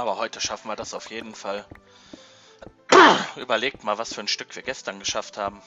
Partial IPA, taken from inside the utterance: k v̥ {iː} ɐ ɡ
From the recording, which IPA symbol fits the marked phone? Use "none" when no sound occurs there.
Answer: iː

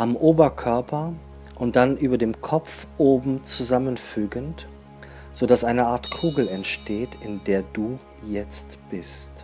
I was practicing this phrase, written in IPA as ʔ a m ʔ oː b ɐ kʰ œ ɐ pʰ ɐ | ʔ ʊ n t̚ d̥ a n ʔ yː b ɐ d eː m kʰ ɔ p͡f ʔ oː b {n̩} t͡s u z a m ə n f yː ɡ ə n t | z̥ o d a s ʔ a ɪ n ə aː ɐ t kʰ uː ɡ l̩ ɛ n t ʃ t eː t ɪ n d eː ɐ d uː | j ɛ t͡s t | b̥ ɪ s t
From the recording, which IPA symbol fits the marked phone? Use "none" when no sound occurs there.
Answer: m̩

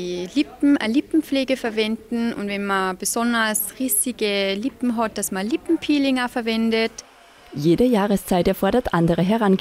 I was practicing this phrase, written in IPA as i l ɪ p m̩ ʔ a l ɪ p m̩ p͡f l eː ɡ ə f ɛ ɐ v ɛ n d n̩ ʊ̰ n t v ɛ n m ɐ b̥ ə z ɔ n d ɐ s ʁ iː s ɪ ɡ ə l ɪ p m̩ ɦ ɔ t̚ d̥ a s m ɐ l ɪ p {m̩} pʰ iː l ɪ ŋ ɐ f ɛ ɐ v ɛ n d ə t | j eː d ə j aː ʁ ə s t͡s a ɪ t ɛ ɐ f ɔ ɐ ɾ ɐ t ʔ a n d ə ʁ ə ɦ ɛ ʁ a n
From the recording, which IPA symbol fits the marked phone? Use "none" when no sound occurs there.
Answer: m̩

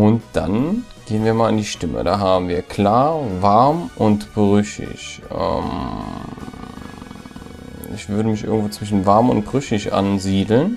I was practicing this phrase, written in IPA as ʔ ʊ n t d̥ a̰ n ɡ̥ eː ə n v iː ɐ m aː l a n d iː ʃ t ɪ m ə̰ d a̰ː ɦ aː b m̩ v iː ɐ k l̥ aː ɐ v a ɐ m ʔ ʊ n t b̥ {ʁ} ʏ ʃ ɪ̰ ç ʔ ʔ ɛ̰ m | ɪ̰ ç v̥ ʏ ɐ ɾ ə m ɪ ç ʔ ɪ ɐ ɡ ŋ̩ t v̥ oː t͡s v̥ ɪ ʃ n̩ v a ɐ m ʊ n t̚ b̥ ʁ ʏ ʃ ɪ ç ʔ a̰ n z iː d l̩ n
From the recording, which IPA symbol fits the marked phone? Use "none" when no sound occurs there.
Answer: ʁ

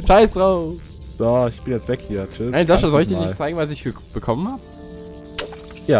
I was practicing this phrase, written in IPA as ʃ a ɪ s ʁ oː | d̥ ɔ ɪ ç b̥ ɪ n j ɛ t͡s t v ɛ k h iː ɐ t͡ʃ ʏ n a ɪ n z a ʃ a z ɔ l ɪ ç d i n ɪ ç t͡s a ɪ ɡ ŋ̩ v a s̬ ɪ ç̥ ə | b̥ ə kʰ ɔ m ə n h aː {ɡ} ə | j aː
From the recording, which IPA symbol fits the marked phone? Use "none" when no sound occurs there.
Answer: b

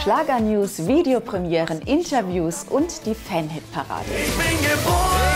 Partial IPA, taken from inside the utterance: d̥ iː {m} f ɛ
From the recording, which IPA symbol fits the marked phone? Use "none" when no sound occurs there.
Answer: none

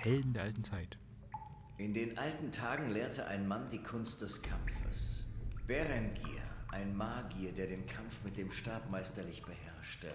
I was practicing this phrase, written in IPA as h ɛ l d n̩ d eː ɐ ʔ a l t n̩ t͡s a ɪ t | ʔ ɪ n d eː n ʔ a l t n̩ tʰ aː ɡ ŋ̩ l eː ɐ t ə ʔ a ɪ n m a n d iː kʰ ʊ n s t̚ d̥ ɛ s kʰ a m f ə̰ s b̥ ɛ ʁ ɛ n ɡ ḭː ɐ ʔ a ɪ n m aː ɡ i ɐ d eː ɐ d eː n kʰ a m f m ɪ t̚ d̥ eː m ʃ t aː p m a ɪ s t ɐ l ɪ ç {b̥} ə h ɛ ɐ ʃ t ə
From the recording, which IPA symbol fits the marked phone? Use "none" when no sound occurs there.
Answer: b̥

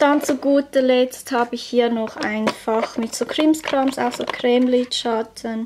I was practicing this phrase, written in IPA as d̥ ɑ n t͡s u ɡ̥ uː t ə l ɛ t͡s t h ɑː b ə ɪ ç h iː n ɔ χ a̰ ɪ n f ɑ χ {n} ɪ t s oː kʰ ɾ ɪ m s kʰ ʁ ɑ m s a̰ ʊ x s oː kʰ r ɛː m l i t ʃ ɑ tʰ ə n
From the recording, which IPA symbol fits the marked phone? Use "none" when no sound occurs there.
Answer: m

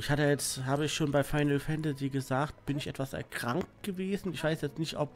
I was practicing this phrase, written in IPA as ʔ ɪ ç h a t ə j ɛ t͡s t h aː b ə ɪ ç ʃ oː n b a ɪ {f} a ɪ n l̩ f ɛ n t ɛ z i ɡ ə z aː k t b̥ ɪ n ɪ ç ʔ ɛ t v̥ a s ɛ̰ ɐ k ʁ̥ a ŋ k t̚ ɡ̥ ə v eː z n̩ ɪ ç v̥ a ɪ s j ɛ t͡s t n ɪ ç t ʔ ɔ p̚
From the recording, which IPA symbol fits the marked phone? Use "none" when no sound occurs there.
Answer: f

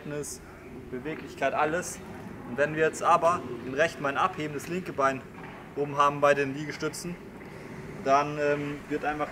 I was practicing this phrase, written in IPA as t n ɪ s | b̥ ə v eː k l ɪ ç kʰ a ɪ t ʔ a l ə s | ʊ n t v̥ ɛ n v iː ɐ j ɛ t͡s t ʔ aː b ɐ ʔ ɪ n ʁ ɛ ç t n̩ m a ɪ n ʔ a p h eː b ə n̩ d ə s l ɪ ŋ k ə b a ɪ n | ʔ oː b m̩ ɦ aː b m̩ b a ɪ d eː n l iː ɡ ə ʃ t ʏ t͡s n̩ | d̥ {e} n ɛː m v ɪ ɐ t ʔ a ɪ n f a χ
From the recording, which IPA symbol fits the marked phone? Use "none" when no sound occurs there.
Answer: a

